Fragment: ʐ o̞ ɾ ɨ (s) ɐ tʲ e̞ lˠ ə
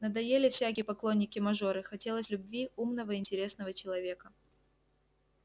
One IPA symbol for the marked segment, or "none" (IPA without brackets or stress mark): x